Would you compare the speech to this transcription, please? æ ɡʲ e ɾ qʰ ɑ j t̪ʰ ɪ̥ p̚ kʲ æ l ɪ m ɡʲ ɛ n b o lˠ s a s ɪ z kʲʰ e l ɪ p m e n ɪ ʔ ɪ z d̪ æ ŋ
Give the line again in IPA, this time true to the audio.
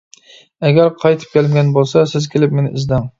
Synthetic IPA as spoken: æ ɡʲ æ ɾ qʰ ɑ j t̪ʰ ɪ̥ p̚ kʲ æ l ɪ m ɡʲ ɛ n b o lˠ s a s ɪ z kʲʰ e l ɪ p m e n ɪ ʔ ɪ z d̪ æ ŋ